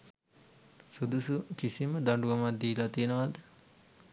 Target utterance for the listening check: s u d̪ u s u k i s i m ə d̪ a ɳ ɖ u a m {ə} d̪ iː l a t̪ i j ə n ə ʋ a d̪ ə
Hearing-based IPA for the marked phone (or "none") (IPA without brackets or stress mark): a